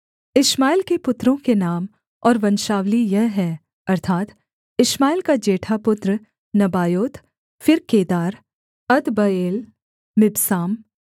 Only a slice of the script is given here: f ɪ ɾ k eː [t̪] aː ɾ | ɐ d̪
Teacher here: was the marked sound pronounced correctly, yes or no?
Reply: no